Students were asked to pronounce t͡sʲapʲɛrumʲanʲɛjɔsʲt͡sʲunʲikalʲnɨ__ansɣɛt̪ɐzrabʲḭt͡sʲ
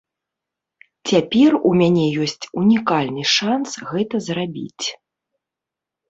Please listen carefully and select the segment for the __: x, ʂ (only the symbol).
ʂ